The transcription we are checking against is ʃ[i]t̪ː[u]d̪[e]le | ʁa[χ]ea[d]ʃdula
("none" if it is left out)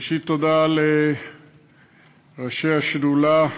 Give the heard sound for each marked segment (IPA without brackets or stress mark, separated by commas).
i, o, a, ʃ, none